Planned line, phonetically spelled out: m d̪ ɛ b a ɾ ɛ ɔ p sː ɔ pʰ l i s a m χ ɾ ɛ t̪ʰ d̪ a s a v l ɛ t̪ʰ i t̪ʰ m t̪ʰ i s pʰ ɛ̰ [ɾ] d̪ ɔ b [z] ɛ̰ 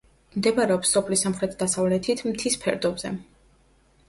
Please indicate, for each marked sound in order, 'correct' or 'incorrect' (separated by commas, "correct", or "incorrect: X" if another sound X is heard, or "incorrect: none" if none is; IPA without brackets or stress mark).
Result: correct, correct